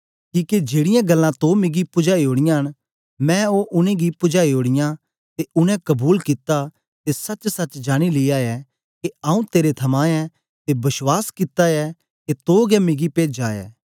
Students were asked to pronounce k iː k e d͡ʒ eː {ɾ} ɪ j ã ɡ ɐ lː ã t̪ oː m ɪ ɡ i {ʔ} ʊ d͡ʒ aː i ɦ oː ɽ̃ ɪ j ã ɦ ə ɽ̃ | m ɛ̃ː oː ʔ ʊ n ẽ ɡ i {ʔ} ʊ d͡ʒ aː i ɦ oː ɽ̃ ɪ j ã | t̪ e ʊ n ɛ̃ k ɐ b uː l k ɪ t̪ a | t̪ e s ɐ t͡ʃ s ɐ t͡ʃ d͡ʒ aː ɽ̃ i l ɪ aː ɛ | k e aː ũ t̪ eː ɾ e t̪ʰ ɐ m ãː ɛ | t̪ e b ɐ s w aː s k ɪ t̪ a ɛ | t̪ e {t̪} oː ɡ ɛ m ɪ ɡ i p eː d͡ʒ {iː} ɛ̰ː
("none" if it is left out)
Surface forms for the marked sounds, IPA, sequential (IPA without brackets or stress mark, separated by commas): ɽ, p, p, t̪, aː